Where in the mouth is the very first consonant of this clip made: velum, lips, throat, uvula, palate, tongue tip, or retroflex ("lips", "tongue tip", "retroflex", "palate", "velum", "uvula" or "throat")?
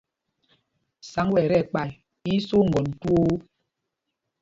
tongue tip